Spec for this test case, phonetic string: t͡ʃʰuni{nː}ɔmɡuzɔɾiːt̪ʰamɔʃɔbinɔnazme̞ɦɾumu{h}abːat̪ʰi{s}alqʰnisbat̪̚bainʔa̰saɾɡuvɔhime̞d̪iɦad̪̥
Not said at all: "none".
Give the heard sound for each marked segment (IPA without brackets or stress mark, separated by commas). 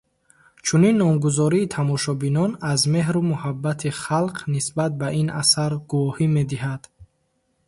nː, h, χ